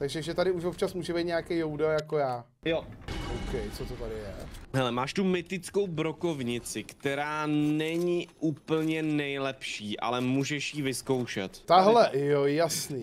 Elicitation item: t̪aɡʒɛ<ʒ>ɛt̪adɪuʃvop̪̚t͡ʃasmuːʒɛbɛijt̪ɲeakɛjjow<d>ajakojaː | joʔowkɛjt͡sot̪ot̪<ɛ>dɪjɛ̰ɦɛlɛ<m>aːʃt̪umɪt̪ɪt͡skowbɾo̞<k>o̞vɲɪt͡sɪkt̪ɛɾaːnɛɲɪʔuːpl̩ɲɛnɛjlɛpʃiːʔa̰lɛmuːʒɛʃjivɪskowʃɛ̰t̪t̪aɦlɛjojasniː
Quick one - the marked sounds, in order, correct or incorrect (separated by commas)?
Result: correct, correct, incorrect, correct, correct